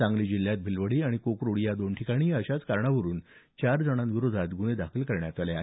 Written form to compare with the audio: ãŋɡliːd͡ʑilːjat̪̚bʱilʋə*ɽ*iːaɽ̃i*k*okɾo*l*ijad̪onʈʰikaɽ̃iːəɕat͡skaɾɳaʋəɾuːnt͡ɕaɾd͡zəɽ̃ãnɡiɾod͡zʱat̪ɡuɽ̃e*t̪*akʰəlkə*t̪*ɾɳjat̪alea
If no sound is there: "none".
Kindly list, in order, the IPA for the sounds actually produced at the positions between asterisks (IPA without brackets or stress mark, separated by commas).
ɽ, k, ɽ, d̪, none